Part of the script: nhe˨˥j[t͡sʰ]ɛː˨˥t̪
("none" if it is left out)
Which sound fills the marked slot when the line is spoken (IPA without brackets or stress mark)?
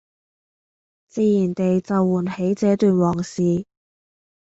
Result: t͡s